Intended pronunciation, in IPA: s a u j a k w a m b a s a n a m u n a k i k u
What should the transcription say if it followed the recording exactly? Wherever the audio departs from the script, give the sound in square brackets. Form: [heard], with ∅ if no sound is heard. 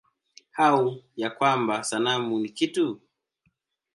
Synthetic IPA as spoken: [h] a u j a k w a m b a s a n a m u n [i] k i [t] u